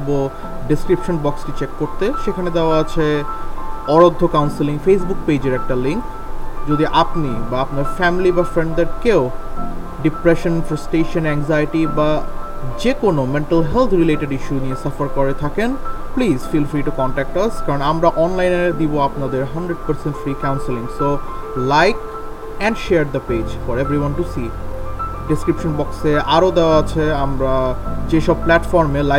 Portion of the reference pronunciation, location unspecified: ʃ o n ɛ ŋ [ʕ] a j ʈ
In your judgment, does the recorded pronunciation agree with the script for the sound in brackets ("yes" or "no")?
no